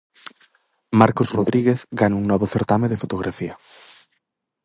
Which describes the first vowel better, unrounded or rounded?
unrounded